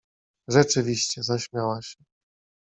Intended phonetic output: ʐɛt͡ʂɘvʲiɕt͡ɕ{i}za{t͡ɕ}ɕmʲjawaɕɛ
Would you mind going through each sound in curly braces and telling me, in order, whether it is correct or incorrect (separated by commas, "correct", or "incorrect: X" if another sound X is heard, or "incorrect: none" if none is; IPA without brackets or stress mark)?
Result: incorrect: ɛ, incorrect: none